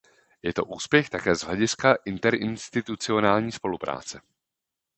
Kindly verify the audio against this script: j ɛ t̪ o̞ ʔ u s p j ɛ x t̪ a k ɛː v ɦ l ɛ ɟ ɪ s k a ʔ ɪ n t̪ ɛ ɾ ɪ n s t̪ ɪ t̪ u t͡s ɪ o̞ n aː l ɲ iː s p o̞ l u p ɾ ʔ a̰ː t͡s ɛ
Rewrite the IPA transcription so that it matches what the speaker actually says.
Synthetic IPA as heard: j ɛ t̪ o̞ ʔ uː s p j ɛ x t̪ a k ɛː z ɦ l ɛ ɟ ɪ s k a ʔ ɪ n t̪ ɛ ɾ ɪ n s t̪ ɪ t̪ u t͡s ɪ o̞ n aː l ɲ iː s p o̞ l u p ɾ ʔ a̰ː t͡s ɛ